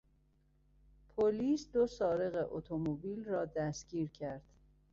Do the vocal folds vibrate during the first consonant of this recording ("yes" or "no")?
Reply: no